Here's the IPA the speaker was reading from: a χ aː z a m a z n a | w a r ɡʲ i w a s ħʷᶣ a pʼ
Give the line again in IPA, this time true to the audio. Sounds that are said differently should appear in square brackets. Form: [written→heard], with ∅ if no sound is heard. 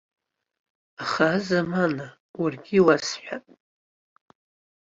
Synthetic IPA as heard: a χ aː z a m a [z→∅] n a | w a r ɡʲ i w a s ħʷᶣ a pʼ